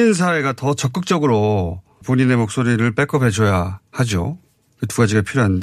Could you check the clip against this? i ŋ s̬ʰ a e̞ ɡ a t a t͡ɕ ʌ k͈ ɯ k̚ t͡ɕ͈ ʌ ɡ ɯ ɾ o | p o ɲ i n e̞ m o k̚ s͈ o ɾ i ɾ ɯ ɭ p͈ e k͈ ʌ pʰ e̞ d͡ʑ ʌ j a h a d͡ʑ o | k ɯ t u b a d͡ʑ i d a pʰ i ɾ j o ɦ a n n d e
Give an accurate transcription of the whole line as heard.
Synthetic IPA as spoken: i n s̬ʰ a e̞ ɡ a t ʌ t͡ɕ ʌ k͈ ɯ k̚ t͡ɕ͈ ʌ ɡ ɯ ɾ o | p o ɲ i n e̞ m o k̚ s͈ o ɾ i ɾ ɯ ɭ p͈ e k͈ ʌ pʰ e̞ d͡ʑ ʌ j a h a d͡ʑ o | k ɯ t u ɡ a d͡ʑ i ɡ a pʰ i ɾ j o ɦ a n n d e